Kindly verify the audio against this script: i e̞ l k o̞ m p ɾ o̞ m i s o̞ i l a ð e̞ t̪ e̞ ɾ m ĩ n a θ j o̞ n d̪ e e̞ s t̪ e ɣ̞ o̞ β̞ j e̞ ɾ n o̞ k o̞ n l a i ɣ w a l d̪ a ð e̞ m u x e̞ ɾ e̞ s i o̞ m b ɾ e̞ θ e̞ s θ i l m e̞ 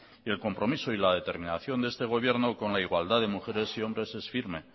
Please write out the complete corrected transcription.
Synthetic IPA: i e̞ l k o̞ m p ɾ o̞ m i s o̞ i l a ð e̞ t̪ e̞ ɾ m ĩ n a θ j o̞ n d̪ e e̞ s t̪ e ɣ̞ o̞ β̞ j e̞ ɾ n o̞ k o̞ n l a i ɣ w a l d̪ a ð e̞ m u x e̞ ɾ e̞ s i o̞ m b ɾ e̞ s e̞ s f i ɾ m e̞